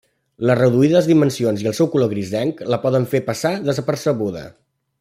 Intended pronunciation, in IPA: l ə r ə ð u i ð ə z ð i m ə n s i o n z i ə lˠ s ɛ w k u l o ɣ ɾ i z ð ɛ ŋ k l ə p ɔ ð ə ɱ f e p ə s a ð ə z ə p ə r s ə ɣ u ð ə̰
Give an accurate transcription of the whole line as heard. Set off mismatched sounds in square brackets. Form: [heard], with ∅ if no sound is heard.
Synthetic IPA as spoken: l ə r ə ð u i ð ə z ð i m ə n s i o n z i ə lˠ s ɛ w k u l o ɣ ɾ i z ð ɛ ŋ k l ə p ɔ ð ə ɱ f e p ə s a ð ə z ə p ə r s ə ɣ u ð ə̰